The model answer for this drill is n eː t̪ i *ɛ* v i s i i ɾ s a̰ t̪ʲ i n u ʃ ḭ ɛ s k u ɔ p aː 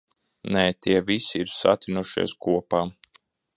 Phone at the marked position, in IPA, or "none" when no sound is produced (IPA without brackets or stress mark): ɛ